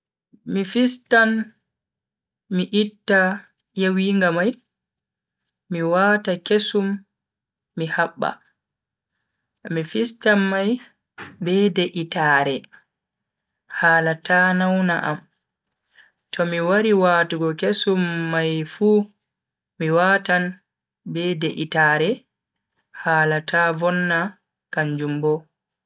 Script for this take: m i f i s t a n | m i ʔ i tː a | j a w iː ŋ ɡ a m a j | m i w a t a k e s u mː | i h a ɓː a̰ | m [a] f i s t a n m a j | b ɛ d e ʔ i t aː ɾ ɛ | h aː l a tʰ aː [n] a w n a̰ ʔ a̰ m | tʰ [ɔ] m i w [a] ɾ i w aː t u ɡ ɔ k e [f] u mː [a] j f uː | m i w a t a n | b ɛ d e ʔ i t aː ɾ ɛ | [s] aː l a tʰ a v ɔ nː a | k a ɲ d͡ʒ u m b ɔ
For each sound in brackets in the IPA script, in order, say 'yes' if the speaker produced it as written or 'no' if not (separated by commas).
no, yes, yes, yes, no, yes, no